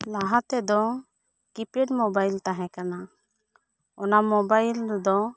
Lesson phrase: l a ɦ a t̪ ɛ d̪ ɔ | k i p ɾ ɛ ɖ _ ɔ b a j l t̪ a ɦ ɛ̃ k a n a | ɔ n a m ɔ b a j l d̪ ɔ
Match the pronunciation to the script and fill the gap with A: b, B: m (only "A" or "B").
B